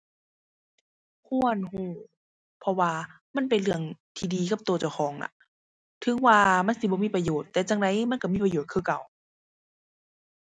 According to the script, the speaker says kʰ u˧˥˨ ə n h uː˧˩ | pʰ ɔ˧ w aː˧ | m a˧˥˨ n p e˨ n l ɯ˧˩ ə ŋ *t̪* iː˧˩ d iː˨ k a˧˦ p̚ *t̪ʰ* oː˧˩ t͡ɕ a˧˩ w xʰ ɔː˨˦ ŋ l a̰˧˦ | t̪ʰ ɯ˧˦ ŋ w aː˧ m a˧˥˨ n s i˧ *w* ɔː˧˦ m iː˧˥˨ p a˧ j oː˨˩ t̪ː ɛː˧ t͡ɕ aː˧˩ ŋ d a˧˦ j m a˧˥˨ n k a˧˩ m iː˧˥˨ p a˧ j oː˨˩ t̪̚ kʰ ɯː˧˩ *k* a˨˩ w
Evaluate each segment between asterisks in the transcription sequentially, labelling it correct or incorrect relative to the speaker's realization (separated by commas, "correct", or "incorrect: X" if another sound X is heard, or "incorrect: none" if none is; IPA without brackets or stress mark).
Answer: incorrect: t̪ʰ, incorrect: t̪, incorrect: b, correct